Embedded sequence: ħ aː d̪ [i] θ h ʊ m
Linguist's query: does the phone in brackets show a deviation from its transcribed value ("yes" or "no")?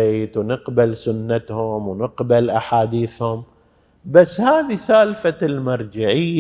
yes